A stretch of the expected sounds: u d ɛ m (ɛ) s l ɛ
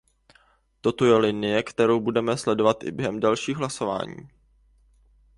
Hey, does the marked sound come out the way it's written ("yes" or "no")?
yes